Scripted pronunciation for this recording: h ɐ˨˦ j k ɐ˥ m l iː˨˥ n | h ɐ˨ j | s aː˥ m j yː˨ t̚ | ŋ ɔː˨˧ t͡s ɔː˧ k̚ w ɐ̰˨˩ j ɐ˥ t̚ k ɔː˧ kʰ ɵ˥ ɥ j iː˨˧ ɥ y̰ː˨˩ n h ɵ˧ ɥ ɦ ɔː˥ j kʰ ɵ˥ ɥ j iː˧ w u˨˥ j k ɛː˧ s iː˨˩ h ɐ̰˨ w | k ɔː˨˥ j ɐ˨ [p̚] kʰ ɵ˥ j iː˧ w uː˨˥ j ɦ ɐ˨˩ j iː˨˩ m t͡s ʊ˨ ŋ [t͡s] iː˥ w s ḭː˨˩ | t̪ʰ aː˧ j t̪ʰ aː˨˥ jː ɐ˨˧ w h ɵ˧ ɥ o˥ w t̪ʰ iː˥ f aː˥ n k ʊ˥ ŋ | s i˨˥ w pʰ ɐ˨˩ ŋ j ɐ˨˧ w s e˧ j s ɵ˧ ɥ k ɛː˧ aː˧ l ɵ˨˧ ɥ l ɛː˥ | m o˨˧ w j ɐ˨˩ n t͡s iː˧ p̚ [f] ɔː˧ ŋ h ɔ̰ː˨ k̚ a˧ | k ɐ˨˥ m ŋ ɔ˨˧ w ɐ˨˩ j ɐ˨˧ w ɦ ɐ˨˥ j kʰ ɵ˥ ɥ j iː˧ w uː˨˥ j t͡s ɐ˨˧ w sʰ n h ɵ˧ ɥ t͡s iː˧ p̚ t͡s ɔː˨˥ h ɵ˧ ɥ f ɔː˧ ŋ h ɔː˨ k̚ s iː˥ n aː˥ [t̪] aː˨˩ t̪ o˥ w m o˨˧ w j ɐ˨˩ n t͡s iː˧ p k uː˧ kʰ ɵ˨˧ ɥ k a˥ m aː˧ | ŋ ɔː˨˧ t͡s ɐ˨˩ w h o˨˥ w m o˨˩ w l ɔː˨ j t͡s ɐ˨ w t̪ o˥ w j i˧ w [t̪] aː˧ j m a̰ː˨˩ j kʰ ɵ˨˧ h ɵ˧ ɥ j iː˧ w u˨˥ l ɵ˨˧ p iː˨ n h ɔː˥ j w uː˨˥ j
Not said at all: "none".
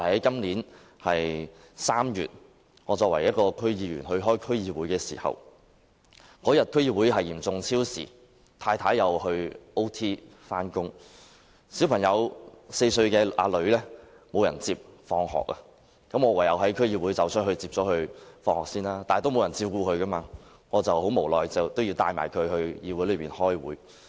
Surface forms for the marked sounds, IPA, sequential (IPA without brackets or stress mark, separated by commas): t̚, t͡sʰ, f, t̪, t̪